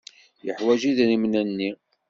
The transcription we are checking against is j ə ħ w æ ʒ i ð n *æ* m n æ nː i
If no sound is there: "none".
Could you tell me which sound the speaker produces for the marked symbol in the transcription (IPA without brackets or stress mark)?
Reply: i